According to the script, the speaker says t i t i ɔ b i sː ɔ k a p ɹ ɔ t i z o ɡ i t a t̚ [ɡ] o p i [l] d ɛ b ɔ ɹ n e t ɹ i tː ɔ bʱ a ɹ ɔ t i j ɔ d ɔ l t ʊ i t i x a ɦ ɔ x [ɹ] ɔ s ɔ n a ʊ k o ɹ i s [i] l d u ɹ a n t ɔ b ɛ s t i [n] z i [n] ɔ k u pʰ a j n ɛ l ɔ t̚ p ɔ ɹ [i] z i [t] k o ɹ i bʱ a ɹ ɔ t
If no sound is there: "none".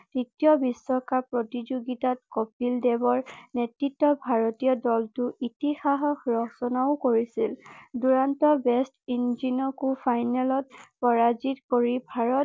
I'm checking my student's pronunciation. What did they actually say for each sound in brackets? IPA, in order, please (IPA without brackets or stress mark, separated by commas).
k, l, ɹ, i, n, n, a, t